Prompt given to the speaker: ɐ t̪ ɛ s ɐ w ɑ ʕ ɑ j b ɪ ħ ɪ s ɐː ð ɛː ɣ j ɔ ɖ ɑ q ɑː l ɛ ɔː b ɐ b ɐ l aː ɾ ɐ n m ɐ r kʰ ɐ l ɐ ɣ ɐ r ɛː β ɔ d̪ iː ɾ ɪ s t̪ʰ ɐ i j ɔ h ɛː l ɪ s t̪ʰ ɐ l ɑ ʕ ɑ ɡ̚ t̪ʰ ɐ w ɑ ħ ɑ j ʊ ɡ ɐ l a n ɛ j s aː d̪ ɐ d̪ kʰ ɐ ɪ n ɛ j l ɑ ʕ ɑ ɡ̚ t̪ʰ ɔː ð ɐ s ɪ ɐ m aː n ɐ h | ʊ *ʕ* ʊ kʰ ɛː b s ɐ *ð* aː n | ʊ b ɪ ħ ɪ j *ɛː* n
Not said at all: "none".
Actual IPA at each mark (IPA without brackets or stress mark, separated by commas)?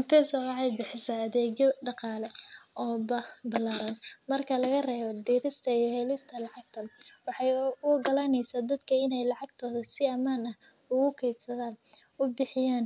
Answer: ɣ, ð, aː